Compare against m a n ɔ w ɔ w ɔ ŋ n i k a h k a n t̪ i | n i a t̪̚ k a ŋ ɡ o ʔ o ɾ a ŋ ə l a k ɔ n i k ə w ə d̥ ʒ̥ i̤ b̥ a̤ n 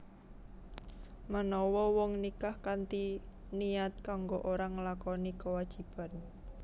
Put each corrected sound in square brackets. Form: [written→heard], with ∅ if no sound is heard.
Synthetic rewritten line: m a n ɔ w ɔ w ɔ ŋ n i k a h k a n t̪ i | n i a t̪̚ k a ŋ ɡ o ʔ o ɾ a ŋ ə l a k ɔ n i k ə w [ə→a] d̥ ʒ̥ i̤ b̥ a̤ n